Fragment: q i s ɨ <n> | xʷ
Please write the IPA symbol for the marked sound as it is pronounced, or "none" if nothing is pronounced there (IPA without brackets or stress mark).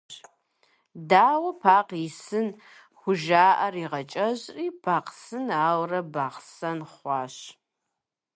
n